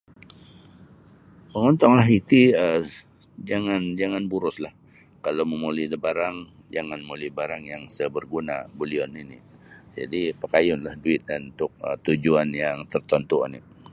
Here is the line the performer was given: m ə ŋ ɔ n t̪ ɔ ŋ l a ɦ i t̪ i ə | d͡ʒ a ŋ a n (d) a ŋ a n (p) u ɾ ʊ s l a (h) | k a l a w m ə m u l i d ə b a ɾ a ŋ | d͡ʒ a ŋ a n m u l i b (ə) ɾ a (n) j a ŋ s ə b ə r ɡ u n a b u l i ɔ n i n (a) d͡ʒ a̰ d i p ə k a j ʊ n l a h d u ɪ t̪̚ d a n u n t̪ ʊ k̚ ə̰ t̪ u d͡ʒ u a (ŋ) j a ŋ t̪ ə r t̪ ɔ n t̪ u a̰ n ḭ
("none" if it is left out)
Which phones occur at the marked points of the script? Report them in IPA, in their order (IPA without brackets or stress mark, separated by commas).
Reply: d͡ʒ, b, h, a, ŋ, i, n